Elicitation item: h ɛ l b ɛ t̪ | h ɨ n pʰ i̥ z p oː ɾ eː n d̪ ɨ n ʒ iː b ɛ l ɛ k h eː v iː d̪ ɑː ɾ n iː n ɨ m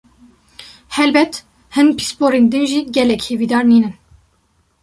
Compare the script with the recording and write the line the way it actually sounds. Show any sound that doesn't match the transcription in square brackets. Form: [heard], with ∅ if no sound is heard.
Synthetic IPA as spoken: h ɛ l b ɛ t̪ | h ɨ n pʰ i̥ [s] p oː ɾ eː n d̪ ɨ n ʒ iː [ɡ] ɛ l ɛ k h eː v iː d̪ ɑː ɾ n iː n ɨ [n]